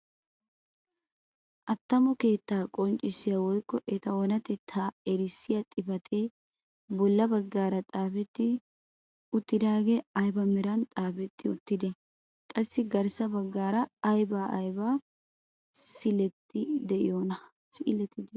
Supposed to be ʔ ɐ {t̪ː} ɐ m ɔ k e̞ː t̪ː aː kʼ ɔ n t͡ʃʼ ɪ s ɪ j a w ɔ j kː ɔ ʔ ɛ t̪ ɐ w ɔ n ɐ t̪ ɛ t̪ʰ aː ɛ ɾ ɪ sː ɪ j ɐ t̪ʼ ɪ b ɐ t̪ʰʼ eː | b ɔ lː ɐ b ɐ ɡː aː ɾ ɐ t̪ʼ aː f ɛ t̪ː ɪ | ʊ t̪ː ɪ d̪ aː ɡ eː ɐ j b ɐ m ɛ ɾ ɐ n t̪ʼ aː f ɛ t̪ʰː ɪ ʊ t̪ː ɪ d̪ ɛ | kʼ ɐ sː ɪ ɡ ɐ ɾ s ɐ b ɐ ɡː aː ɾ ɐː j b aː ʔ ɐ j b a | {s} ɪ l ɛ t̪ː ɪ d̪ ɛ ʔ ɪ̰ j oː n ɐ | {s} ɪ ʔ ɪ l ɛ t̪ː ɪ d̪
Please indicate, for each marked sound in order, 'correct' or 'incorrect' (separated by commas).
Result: correct, correct, correct